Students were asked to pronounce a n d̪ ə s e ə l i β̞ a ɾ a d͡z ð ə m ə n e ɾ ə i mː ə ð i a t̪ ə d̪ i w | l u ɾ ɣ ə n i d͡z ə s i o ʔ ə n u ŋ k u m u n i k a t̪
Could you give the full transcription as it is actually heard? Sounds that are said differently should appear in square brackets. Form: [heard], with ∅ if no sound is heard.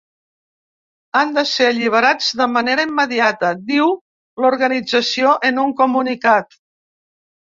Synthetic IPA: a n d̪ ə s e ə [ʎ] i β̞ [ə] ɾ a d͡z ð ə m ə n e ɾ ə i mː ə ð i a t̪ ə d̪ i w | l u ɾ ɣ ə n i d͡z ə s i o ʔ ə n u ŋ k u m u n i k a t̪